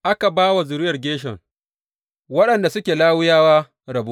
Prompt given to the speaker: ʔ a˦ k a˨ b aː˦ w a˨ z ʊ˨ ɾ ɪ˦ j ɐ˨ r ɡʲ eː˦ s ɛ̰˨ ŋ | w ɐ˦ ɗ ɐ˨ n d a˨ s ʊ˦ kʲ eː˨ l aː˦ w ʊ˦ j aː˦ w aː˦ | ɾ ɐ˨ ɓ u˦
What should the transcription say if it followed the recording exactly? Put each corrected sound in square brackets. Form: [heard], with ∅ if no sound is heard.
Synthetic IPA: ʔ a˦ k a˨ b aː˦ w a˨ z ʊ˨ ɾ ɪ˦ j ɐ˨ r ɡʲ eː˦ [ʃ] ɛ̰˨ ŋ | w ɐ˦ ɗ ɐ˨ n d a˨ s ʊ˦ kʲ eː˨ l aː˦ w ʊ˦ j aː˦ w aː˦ | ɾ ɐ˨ [b] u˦